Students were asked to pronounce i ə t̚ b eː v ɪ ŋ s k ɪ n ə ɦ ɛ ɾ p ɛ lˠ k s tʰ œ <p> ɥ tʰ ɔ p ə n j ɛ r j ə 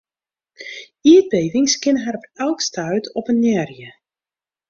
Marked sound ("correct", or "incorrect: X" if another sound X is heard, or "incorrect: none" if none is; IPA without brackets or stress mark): incorrect: none